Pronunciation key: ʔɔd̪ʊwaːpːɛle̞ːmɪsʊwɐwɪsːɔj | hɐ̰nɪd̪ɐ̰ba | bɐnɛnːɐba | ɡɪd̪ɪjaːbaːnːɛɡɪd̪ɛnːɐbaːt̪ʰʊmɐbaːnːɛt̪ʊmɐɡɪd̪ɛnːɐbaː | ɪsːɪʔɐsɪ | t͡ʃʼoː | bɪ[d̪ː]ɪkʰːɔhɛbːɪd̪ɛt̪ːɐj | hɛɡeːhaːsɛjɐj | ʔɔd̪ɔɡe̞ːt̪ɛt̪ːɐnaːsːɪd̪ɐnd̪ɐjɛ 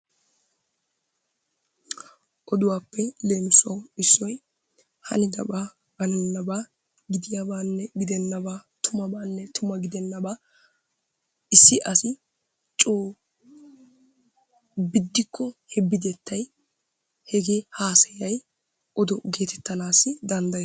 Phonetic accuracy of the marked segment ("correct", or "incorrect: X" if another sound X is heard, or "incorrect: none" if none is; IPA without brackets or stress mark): correct